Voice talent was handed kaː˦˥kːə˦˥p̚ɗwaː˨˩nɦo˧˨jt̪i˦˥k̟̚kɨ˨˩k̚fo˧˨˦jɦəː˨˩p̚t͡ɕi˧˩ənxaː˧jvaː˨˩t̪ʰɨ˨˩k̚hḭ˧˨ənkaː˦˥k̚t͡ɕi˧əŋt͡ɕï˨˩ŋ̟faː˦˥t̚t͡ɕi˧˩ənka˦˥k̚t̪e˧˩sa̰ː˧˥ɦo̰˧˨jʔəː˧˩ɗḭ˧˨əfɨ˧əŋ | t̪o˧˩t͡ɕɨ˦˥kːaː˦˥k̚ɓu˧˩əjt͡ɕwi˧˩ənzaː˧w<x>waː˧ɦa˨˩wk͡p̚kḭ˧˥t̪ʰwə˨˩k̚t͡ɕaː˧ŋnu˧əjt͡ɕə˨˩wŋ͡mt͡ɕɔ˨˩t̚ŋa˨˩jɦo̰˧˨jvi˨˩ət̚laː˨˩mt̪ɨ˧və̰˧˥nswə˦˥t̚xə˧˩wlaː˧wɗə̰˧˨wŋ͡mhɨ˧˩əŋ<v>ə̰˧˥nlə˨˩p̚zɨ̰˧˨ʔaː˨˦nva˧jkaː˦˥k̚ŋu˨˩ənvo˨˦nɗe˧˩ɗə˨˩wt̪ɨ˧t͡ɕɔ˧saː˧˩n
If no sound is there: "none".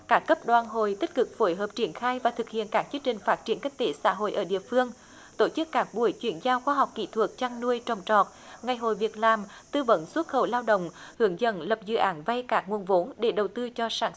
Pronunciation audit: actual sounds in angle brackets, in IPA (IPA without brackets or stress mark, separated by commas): x, z